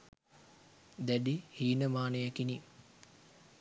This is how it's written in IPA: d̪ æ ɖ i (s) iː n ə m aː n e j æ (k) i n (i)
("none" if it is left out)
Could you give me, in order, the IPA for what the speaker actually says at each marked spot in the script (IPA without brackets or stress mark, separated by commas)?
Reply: h, k, i